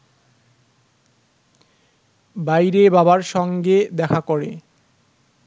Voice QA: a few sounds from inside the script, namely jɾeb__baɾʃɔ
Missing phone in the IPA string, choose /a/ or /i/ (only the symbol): a